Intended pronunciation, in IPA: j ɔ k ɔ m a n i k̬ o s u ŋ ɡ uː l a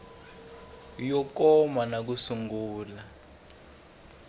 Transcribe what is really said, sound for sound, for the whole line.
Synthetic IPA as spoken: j ɔ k ɔ m a n a k̬ u s u ŋ ɡ uː l a